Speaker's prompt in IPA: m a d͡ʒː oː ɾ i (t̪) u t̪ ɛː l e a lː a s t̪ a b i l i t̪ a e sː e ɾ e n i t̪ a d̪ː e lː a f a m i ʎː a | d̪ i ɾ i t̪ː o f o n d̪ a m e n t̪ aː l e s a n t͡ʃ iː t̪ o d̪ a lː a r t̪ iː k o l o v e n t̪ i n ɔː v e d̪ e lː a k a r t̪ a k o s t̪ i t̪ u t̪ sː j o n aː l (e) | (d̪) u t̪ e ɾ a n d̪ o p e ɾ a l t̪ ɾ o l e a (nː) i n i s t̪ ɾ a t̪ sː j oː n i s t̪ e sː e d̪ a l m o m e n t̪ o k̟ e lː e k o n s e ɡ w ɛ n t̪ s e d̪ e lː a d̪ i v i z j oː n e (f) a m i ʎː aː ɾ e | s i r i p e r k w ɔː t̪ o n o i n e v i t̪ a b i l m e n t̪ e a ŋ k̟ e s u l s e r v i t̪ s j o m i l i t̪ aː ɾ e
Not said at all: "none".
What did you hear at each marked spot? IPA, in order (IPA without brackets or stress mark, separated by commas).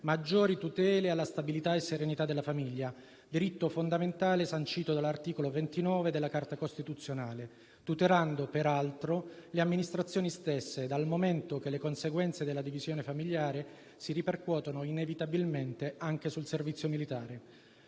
t̪, e, t̪, mː, f